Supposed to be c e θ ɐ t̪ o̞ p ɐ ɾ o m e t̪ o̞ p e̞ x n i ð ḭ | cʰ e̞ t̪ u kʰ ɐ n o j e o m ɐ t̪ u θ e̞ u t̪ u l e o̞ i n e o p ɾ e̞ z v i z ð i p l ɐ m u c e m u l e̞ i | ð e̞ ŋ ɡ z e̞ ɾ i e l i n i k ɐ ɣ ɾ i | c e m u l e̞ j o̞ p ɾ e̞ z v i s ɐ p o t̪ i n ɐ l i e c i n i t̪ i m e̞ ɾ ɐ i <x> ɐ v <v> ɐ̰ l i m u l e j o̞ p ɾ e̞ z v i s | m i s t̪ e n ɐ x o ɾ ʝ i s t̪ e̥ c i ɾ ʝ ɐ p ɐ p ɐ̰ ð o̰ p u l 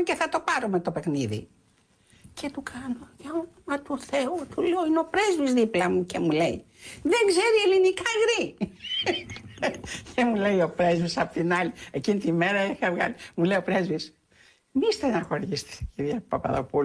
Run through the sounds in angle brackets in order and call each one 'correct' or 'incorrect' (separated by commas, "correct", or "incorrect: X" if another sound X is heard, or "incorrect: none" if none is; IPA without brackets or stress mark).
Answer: correct, incorrect: ɣ